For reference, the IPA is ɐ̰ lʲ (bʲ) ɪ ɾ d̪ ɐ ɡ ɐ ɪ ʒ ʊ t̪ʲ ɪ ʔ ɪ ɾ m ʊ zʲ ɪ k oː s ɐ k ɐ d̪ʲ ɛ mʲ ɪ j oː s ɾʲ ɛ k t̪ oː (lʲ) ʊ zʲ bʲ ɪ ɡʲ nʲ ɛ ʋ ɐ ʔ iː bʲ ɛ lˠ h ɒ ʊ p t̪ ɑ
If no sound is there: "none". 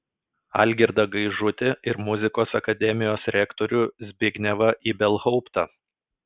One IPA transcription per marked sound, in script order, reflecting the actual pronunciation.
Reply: ɡʲ, ɾʲ

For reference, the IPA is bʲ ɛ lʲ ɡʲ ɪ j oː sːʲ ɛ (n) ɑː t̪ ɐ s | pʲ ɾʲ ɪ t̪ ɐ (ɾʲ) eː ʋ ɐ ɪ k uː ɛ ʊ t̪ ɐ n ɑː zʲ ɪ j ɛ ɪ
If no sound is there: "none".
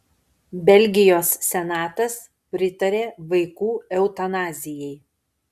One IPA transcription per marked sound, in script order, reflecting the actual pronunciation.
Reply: n, ɾʲ

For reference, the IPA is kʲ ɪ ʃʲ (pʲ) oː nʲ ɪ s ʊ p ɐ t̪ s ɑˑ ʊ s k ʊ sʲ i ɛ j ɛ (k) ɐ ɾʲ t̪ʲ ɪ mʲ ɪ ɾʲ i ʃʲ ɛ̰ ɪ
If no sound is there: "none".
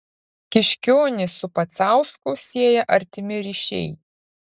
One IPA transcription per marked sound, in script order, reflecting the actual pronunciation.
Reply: kʲ, ʔ

